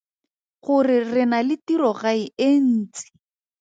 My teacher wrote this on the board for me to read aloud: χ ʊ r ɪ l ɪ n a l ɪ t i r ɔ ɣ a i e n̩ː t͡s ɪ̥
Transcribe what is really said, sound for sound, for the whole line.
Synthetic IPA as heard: χ ʊ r ɪ r ɪ n a l ɪ t i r ɔ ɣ a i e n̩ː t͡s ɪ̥